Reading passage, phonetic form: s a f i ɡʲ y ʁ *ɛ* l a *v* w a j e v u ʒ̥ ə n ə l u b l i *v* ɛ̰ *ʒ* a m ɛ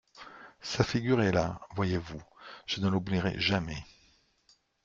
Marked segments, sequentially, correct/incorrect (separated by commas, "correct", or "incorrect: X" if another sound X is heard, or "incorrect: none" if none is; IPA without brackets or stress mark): correct, correct, incorrect: ʁ, correct